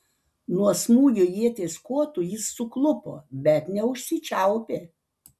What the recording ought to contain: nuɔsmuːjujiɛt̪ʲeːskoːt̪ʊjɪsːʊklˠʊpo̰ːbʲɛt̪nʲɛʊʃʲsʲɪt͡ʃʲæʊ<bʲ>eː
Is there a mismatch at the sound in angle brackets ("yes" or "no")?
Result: yes